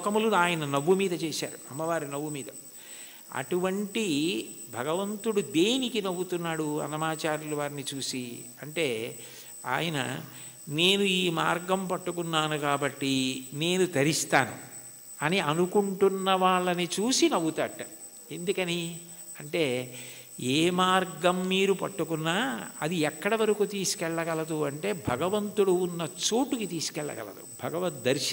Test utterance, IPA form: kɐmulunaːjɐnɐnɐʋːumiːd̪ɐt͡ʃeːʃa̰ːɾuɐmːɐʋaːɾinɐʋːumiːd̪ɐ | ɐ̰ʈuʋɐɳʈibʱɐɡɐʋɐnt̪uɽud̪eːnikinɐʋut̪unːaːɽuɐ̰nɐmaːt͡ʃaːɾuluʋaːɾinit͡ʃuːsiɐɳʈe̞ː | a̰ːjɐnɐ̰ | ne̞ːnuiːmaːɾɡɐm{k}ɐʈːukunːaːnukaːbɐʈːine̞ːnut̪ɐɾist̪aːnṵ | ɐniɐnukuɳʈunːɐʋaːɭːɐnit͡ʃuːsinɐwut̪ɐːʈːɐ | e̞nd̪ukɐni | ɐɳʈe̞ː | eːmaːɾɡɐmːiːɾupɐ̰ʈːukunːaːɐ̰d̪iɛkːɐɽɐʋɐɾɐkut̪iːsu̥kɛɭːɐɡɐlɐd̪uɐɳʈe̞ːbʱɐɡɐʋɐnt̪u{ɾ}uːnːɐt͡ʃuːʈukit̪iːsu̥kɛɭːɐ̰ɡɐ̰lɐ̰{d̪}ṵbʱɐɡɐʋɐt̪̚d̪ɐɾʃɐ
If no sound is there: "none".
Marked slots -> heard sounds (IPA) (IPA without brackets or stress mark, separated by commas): p, ɽ, d̪